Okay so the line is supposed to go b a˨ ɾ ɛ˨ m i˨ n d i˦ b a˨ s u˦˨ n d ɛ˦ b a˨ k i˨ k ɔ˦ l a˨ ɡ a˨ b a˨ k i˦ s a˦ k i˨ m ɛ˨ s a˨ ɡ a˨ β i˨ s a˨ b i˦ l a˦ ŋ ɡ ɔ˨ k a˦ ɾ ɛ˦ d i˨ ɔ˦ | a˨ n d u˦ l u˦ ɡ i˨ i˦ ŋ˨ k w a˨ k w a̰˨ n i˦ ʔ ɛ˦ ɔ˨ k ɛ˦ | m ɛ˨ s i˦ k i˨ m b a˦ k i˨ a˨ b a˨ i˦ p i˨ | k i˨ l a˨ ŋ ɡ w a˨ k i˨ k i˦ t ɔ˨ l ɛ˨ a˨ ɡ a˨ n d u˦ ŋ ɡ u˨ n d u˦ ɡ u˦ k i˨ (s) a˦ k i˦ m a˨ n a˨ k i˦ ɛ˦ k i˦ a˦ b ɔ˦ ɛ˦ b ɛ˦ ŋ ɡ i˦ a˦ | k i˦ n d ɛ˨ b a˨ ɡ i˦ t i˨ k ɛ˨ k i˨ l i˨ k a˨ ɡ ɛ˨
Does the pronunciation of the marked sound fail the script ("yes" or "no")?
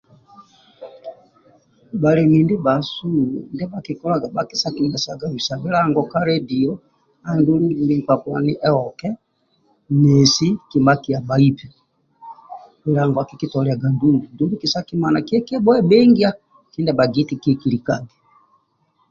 no